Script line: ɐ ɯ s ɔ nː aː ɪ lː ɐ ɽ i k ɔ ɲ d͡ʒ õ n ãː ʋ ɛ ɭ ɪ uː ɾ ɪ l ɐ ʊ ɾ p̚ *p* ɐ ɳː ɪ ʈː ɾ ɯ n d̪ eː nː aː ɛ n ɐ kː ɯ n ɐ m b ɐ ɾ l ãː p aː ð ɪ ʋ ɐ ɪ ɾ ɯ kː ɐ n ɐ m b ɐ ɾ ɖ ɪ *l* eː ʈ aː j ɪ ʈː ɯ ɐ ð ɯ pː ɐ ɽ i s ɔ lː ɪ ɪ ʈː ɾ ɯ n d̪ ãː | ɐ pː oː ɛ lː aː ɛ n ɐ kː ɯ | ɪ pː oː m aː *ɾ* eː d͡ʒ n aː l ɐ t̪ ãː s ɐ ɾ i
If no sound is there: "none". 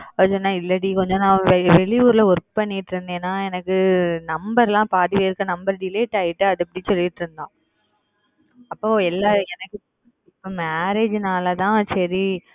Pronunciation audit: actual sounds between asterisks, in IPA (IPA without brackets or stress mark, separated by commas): p, l, ɾ